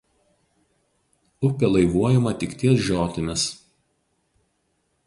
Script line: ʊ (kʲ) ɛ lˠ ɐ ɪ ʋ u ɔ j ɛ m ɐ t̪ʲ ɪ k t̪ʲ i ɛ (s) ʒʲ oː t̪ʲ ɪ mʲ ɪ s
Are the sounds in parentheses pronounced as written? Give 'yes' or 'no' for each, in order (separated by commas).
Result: no, yes